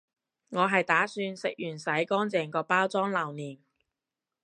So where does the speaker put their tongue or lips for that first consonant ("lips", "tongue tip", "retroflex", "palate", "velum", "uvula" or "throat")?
velum